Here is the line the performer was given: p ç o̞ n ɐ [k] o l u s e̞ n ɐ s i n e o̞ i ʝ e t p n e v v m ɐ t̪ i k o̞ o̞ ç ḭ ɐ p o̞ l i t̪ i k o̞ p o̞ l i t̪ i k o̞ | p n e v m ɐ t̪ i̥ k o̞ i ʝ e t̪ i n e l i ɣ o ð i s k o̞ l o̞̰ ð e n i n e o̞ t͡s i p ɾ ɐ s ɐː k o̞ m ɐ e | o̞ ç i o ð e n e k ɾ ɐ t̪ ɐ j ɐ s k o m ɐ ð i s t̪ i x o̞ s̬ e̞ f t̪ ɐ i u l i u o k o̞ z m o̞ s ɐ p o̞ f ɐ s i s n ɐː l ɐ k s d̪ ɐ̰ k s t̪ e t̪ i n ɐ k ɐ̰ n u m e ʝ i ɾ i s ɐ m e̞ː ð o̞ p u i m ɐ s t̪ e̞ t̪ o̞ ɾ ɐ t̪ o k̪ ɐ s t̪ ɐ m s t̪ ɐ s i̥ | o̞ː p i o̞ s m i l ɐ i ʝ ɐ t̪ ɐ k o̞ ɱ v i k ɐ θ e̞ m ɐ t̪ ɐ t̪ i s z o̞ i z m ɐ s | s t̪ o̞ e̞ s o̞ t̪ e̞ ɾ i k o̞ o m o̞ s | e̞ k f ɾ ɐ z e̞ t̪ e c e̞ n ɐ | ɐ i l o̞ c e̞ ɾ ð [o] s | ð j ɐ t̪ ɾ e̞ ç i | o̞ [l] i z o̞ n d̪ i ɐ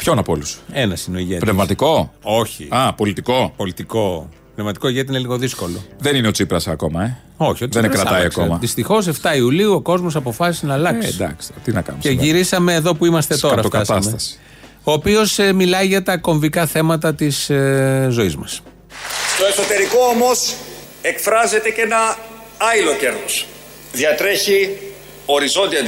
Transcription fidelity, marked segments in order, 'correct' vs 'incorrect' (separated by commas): incorrect, correct, incorrect